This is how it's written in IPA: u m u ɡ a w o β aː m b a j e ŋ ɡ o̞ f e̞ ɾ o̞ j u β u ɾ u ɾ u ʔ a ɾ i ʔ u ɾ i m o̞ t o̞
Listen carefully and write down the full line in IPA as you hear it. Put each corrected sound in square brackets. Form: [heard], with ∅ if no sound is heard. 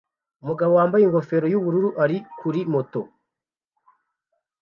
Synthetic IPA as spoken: u m u ɡ a [β] o [w] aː m b a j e ŋ ɡ o̞ f e̞ ɾ o̞ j u β u ɾ u ɾ u ʔ a ɾ i [k] u ɾ i m o̞ t o̞